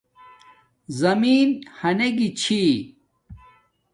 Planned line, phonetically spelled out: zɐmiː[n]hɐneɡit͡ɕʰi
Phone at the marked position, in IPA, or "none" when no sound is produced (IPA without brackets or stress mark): n